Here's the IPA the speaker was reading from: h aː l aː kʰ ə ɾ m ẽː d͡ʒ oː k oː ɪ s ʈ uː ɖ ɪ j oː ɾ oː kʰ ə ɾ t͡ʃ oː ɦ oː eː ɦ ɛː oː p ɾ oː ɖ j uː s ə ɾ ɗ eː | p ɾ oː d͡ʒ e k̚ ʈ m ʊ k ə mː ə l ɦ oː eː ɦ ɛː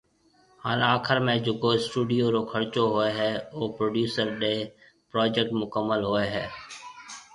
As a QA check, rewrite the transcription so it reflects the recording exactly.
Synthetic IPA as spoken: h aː l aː kʰ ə ɾ m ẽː d͡ʒ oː k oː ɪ s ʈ uː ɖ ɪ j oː ɾ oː kʰ ə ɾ t͡ʃ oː ɦ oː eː ɦ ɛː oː p ɾ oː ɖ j uː s ə ɾ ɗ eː | p ɾ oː d͡ʒ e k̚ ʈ m ʊ k ə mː ə l ɦ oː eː ɦ ɛː